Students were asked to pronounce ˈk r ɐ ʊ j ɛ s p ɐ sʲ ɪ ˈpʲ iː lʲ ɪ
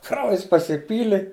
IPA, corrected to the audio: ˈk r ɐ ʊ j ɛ s p ɐ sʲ ɪ ˈpʲ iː lʲ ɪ